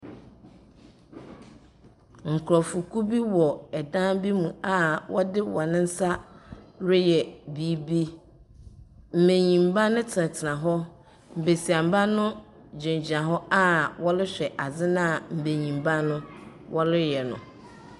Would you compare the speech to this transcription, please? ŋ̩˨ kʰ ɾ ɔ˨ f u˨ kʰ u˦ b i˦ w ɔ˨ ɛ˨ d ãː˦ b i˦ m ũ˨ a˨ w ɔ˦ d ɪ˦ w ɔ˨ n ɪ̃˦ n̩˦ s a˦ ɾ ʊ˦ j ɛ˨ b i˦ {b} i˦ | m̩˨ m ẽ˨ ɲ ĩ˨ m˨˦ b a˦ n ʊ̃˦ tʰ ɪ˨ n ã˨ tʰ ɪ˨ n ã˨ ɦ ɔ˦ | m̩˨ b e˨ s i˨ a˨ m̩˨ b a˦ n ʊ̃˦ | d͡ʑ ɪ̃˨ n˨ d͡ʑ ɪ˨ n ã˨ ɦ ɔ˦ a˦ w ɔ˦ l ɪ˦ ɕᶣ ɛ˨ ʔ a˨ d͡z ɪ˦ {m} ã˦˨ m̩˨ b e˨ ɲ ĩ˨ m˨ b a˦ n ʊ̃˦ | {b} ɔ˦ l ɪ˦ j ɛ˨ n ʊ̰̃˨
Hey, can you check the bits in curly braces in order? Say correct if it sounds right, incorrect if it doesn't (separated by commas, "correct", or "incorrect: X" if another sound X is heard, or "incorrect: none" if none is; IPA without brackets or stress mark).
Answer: correct, incorrect: n, incorrect: w